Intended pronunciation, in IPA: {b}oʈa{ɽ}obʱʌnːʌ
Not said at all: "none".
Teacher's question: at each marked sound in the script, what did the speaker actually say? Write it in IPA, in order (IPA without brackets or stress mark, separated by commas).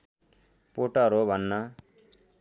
p, ɾ